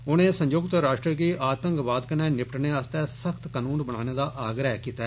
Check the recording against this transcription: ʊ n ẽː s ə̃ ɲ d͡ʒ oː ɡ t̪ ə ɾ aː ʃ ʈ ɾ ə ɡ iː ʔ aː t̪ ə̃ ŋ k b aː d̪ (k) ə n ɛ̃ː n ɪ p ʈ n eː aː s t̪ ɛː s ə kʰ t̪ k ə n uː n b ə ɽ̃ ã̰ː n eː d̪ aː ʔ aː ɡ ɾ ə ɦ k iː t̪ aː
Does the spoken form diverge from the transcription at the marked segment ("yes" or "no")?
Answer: no